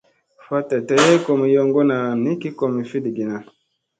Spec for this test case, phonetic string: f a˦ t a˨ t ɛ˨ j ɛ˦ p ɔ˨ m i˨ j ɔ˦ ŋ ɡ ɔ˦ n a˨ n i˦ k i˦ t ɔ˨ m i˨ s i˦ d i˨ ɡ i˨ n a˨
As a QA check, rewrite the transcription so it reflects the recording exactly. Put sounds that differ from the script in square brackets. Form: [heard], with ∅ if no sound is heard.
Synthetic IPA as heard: f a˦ t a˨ t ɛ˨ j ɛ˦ [k] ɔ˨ m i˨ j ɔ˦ ŋ ɡ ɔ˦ n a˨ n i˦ k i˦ [k] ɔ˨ m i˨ [f] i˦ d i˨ ɡ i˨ n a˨